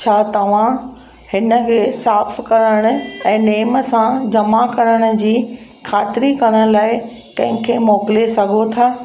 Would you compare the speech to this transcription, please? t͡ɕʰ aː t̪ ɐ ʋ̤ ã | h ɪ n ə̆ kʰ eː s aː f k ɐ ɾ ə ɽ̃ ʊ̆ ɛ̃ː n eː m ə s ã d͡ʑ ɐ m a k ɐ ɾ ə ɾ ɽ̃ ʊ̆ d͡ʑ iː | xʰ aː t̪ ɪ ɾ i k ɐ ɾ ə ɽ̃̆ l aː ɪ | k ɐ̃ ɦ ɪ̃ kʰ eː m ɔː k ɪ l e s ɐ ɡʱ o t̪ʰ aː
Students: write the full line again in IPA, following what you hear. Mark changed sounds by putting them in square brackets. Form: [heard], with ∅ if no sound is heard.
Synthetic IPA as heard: t͡ɕʰ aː t̪ ɐ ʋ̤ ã | h ɪ n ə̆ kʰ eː s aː f k ɐ ɾ ə ɽ̃ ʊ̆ ɛ̃ː n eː m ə s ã d͡ʑ ɐ m a k ɐ ɾ ə [∅] ɽ̃ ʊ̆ d͡ʑ iː | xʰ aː t̪ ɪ ɾ i k ɐ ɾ ə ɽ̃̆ l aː ɪ | k ɐ̃ ɦ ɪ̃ kʰ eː m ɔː k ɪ l e s ɐ ɡʱ o t̪ʰ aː